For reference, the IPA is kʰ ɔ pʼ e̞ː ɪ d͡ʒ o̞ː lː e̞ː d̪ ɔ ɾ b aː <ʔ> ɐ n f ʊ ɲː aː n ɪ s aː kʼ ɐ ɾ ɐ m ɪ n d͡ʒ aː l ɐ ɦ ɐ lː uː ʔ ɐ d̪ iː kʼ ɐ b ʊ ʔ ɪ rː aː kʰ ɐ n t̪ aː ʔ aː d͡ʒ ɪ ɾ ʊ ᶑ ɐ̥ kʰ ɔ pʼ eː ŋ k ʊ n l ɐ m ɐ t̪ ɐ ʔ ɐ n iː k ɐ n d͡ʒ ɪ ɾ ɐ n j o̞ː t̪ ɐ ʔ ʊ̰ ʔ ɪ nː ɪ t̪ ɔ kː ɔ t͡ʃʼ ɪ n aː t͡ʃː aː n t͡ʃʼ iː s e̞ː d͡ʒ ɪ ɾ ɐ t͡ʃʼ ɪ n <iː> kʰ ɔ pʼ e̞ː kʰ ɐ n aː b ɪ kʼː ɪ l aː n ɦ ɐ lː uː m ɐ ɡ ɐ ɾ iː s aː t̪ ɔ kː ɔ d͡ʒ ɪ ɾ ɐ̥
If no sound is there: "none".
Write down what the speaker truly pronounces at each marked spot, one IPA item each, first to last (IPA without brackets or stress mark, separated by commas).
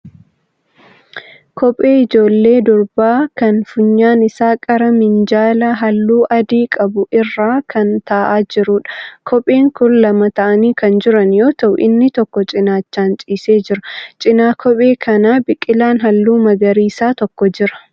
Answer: k, aː